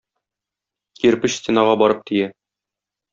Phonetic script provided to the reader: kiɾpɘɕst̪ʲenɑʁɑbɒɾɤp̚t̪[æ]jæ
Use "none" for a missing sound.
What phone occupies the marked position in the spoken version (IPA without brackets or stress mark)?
i